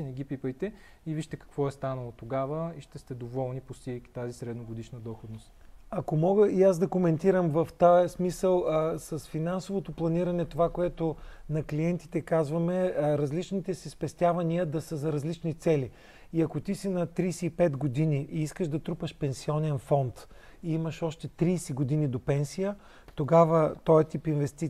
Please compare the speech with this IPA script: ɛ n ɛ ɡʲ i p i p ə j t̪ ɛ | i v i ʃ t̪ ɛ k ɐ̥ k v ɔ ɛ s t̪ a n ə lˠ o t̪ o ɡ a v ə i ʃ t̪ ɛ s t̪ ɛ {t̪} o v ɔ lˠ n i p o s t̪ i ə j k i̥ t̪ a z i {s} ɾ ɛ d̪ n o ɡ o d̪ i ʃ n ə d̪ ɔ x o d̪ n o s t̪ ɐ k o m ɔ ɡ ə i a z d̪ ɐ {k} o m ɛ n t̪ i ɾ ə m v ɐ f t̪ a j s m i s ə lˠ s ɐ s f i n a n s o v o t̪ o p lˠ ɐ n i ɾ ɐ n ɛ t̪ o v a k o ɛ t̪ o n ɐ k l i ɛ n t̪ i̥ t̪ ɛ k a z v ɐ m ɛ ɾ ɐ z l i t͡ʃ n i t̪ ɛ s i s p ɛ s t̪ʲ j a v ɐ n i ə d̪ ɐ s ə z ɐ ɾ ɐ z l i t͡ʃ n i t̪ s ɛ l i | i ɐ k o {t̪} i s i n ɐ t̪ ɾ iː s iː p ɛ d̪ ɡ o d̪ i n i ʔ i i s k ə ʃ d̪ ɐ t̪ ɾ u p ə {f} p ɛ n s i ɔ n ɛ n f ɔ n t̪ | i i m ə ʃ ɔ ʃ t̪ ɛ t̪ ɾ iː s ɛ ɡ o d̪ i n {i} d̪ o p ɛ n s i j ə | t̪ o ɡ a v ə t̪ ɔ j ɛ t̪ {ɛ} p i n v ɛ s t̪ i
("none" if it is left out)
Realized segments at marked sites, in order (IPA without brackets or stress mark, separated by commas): d̪, s, k, t̪, ʃ, i, i